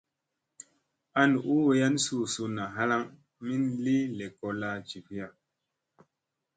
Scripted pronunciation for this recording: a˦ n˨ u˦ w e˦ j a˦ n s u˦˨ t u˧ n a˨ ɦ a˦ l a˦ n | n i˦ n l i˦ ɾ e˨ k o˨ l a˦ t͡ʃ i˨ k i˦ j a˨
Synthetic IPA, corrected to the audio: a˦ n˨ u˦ w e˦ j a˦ n s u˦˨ s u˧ n a˨ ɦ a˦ l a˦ ŋ | m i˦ n l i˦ l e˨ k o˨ l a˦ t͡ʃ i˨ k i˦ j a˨